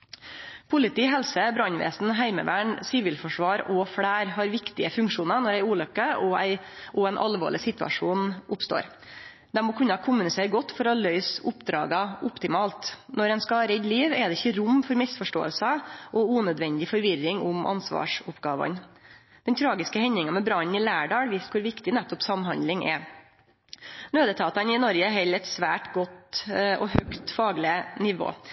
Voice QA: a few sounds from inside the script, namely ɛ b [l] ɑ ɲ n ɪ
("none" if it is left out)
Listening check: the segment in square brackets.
ɾ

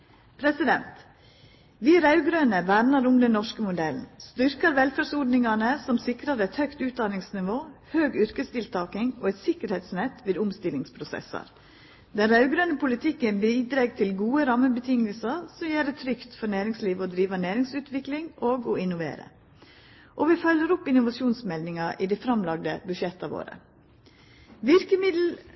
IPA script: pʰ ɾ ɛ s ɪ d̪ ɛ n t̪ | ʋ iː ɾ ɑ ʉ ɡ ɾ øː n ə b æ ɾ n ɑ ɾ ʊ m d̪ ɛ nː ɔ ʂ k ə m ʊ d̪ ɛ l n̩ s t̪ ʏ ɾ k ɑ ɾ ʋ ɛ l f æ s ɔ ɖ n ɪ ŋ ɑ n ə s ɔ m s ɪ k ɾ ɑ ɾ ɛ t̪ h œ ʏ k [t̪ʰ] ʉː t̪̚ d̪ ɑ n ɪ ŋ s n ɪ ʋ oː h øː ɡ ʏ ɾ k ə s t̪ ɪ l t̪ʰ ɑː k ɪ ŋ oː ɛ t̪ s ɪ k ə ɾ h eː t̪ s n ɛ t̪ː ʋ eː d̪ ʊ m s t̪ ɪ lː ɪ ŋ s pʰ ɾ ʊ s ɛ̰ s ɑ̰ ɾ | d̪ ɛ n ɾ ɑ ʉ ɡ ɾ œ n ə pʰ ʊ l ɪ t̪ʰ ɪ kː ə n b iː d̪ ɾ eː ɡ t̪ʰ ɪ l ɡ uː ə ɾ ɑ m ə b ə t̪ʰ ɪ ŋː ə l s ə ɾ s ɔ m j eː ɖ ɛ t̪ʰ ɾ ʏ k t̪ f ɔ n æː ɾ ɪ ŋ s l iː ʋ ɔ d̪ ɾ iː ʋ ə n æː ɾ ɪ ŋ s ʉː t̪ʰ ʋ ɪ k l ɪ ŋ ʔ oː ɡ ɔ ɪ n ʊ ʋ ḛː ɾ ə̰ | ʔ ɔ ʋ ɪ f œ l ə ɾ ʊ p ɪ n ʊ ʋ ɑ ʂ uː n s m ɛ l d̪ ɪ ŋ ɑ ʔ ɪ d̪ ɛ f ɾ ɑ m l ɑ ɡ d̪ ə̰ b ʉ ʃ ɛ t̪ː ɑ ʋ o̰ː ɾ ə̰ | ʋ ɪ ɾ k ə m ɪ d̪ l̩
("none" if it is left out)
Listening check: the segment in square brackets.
t̪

